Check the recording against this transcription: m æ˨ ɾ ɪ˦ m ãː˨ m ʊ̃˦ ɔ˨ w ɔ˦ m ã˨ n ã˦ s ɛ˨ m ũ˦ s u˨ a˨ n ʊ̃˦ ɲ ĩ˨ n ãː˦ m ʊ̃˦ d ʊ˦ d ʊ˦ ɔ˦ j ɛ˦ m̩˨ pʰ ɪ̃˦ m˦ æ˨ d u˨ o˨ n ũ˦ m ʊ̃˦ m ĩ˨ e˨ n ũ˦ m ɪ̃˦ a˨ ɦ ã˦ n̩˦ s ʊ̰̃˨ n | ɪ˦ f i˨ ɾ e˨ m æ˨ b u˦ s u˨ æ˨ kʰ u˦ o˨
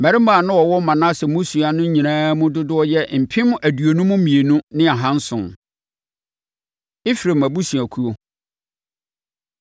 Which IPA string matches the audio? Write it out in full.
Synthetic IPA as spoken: m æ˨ ɾ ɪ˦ m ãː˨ n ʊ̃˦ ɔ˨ w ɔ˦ m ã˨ n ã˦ s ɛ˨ m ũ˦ s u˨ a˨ n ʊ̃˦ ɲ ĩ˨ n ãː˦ m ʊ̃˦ d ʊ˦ d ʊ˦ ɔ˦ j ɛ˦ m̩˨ pʰ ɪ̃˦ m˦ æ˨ d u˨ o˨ n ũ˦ m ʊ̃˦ m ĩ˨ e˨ n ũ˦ n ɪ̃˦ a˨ ɦ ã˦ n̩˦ s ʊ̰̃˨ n | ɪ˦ f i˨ ɾ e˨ m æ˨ b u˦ s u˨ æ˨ kʰ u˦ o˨

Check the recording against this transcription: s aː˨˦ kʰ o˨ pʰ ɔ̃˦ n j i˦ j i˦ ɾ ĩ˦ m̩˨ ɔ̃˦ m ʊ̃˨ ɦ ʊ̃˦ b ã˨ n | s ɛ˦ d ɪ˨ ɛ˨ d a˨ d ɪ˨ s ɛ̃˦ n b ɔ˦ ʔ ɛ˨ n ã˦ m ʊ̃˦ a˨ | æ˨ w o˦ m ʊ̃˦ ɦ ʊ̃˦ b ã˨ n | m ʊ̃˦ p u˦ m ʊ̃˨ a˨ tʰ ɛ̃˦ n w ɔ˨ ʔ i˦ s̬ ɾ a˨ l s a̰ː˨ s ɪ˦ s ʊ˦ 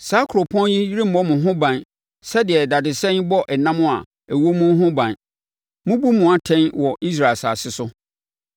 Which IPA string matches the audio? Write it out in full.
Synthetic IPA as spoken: s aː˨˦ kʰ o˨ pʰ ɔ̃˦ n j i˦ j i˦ ɾ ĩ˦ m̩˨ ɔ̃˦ m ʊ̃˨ ɦ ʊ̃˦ b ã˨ n | s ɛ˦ d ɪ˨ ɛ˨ d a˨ d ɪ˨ s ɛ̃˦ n b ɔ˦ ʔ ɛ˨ n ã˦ m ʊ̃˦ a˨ | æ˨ w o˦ m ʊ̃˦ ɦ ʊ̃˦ b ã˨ n | m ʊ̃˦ b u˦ m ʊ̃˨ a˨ tʰ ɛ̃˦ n w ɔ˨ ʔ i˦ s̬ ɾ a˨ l s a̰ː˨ s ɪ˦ s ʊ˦

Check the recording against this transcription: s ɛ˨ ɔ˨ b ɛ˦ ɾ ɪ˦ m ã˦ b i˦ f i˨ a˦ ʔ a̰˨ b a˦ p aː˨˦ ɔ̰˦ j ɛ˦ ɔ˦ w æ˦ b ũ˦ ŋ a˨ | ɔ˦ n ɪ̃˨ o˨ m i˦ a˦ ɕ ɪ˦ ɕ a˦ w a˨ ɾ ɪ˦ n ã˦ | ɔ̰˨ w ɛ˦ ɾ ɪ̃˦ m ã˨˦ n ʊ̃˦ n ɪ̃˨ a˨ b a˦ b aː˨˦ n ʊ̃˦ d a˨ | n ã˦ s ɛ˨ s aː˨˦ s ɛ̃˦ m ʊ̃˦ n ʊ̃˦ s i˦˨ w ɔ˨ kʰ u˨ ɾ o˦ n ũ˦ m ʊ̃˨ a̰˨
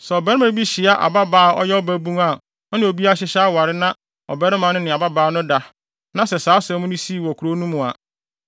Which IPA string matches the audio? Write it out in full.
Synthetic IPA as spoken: s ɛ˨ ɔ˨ b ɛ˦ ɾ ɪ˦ m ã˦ b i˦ ɕ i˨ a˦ ʔ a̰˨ b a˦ b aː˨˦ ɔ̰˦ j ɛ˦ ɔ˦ b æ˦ b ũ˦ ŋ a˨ | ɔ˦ n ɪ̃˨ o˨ b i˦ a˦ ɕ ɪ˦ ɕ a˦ w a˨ ɾ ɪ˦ n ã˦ | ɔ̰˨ b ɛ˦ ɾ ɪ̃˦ m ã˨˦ n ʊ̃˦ n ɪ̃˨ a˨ b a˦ b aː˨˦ n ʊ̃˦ d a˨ | n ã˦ s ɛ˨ s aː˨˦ s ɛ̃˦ m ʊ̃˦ n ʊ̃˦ s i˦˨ w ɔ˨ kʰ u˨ ɾ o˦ n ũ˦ m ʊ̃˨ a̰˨

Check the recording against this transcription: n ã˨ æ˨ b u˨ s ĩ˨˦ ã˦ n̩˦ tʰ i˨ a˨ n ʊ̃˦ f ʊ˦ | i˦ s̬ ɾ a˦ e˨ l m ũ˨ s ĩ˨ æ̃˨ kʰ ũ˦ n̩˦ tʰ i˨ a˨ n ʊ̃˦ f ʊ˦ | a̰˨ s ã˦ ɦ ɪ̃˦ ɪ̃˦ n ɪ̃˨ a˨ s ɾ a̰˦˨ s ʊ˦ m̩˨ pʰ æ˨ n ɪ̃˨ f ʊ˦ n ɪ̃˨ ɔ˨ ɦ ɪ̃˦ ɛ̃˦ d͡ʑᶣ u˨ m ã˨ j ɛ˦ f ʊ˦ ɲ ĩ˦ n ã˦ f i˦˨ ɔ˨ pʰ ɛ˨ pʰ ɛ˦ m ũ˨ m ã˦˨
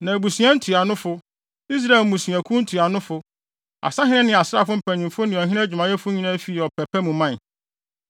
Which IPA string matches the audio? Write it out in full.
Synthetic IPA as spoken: n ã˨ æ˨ b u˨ s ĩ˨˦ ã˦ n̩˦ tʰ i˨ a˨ n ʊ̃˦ f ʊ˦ | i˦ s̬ ɾ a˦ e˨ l m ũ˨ s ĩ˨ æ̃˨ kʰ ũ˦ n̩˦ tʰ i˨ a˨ n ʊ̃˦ f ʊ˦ | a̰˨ s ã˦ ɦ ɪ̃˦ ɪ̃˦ n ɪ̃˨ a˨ s ɾ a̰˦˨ f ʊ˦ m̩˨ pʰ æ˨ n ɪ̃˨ f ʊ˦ n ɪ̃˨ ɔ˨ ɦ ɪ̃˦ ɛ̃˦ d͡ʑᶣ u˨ m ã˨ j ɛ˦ f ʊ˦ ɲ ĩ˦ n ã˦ f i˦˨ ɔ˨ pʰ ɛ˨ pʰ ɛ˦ m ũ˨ m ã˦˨

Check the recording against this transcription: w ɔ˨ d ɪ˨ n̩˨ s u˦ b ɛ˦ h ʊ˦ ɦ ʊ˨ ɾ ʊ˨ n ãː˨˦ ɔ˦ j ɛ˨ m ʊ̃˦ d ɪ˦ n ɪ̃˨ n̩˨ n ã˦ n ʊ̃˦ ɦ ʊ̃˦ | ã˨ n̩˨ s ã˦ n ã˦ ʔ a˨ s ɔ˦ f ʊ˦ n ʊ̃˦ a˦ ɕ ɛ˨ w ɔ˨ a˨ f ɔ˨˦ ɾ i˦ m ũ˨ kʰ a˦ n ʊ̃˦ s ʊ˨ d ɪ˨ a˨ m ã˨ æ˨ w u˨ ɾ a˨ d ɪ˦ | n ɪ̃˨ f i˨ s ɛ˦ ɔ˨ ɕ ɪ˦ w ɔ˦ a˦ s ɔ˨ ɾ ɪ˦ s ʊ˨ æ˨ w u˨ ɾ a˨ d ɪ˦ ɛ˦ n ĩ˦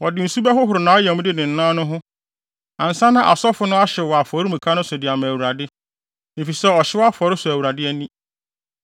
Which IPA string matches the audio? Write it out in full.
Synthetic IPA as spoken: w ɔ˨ d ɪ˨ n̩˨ s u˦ b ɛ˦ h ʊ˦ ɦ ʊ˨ ɾ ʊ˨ n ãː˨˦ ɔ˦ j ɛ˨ m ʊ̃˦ d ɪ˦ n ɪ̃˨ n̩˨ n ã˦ n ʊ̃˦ ɦ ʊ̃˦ | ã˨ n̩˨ s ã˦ n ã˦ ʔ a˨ s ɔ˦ f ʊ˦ n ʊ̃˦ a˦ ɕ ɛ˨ w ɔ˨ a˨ f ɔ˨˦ ɾ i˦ m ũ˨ kʰ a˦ n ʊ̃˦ s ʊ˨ d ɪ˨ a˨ m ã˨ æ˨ w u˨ ɾ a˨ d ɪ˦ | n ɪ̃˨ f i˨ s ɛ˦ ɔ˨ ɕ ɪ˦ w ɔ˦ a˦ f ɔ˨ ɾ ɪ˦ s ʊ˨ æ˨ w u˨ ɾ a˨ d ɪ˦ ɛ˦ n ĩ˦

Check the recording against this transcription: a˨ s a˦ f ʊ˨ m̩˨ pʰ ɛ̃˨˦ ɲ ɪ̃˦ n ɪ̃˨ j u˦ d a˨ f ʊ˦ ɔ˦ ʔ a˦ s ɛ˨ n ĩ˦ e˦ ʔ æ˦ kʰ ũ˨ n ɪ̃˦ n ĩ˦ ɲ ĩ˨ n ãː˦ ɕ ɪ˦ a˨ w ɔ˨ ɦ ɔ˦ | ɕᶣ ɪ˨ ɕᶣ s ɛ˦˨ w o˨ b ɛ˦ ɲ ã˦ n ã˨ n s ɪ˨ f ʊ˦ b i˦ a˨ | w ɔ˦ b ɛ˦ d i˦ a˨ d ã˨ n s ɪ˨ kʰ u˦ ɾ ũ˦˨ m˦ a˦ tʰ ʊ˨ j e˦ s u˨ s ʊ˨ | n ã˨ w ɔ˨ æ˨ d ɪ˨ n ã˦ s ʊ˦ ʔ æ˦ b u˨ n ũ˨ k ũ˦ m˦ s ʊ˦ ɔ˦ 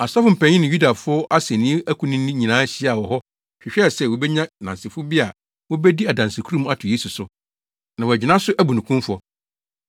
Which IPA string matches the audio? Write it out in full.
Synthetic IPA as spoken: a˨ s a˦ f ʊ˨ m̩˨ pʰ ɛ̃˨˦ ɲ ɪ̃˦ n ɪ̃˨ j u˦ d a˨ f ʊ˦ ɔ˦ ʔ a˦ s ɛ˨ n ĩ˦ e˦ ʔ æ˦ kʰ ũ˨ n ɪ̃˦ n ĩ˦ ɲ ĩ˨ n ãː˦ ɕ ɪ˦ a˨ w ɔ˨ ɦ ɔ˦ | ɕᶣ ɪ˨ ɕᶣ s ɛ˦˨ w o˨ b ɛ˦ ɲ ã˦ n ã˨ n s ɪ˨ f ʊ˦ b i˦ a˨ | w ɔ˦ b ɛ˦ d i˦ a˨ d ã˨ n s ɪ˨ kʰ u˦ ɾ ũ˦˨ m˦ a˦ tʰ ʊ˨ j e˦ s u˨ s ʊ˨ | n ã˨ w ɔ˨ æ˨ d͡ʑ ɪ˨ n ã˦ s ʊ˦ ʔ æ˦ b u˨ n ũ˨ k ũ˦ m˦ f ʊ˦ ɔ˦

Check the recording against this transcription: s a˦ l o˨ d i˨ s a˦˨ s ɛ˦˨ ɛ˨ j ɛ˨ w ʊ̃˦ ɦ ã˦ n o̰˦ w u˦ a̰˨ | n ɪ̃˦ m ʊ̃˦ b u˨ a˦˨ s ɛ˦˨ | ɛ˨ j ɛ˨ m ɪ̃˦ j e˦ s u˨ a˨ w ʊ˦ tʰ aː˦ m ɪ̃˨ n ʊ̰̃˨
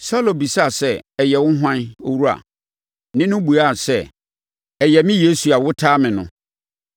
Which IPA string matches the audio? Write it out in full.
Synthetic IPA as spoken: s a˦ l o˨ b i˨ s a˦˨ s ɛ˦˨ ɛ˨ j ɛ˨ w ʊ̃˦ ɦ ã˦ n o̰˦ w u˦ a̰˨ | n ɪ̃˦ n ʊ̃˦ b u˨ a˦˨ s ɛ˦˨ | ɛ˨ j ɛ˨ m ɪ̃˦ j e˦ s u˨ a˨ w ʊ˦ tʰ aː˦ m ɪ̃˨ n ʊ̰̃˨

